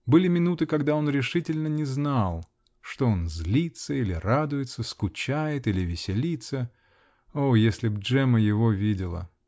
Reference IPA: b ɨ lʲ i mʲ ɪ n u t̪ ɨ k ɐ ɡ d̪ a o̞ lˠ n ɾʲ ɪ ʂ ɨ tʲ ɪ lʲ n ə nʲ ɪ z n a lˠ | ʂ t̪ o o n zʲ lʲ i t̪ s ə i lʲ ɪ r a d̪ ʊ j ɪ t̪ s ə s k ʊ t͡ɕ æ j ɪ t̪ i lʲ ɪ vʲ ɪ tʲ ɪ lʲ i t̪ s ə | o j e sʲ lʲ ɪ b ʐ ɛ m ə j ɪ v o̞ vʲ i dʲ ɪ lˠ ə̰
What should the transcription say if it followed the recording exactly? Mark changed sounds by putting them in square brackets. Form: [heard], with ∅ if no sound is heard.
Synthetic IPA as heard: b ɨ lʲ [ɪ] mʲ ɪ n u t̪ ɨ k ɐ ɡ d̪ a o̞ [∅] n ɾʲ ɪ ʂ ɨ tʲ ɪ lʲ n ə nʲ ɪ z n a lˠ | ʂ t̪ o o n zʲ lʲ i t̪ s ə i lʲ ɪ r a d̪ ʊ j ɪ t̪ s ə s k ʊ t͡ɕ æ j ɪ t̪ i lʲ ɪ vʲ ɪ [sʲ] ɪ lʲ i t̪ s ə | o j e sʲ lʲ ɪ b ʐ ɛ m ə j ɪ v o̞ vʲ i dʲ ɪ lˠ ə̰

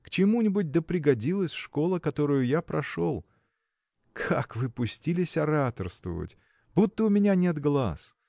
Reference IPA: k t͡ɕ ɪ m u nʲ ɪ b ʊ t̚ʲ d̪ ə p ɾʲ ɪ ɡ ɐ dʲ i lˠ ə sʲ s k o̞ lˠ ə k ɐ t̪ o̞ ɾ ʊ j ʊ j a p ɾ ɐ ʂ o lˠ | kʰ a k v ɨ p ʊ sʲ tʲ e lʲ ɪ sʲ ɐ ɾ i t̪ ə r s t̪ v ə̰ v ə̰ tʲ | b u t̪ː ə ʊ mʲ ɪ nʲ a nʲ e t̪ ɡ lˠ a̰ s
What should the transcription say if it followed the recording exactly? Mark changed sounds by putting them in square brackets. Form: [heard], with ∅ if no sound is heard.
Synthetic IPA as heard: k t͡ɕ ɪ m u nʲ ɪ b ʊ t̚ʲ d̪ ə p ɾʲ ɪ ɡ ɐ dʲ i lˠ ə sʲ [ʂ] k o̞ lˠ ə k ɐ t̪ o̞ ɾ ʊ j ʊ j a p ɾ ɐ ʂ o lˠ | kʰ a k v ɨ p ʊ sʲ tʲ [i] lʲ ɪ sʲ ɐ ɾ [a] t̪ ə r s t̪ v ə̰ v ə̰ tʲ | b u t̪ː ə ʊ mʲ ɪ nʲ a nʲ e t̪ ɡ lˠ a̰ s

